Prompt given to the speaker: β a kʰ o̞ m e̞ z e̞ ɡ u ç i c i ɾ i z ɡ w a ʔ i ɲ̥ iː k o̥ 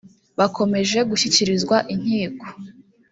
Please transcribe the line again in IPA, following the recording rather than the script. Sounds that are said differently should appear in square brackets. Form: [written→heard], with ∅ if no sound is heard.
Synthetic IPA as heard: β a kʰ o̞ m e̞ [z→ʒ] e̞ ɡ u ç i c i ɾ i z ɡ w a ʔ i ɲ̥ iː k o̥